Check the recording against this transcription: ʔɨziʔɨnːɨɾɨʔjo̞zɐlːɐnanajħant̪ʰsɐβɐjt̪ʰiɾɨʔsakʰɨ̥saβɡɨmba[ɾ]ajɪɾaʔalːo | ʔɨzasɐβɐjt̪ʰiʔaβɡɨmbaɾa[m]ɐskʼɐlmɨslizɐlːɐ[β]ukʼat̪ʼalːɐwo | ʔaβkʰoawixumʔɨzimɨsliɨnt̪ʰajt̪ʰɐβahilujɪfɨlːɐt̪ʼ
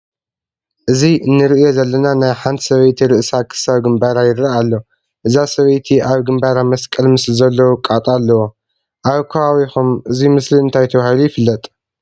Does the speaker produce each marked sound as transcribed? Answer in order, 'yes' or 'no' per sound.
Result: yes, yes, no

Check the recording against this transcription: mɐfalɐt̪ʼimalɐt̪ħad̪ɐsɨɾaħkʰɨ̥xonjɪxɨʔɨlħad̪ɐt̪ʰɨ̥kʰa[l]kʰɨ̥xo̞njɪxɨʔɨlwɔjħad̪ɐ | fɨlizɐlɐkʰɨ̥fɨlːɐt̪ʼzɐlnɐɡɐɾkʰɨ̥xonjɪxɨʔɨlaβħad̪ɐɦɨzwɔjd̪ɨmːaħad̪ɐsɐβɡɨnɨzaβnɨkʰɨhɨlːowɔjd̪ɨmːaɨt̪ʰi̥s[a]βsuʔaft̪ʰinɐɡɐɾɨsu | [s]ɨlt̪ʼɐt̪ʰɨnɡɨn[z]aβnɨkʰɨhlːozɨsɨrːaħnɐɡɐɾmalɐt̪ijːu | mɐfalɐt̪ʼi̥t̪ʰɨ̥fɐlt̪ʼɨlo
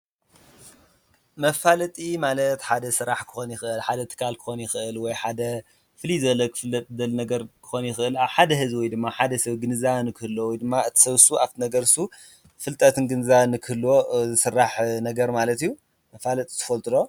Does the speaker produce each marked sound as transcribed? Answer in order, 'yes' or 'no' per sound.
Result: yes, no, no, yes

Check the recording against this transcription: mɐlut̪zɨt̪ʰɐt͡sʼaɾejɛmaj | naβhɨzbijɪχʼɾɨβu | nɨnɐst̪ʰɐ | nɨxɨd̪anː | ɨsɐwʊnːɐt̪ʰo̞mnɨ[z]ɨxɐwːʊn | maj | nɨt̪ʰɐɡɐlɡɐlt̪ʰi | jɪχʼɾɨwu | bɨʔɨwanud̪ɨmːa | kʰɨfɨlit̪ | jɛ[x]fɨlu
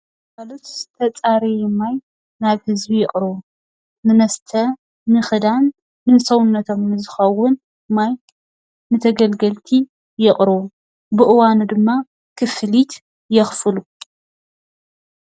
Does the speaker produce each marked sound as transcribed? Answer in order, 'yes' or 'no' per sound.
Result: yes, yes

